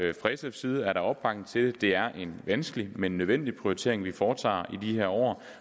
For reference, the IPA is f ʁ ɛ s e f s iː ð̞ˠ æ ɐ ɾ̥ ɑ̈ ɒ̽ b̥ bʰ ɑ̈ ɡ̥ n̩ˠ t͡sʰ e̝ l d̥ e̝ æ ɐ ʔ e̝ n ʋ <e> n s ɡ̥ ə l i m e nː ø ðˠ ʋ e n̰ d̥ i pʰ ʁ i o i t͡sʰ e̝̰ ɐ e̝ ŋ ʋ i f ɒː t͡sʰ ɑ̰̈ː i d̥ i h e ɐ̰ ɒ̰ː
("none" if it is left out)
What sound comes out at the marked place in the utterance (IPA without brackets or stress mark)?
æ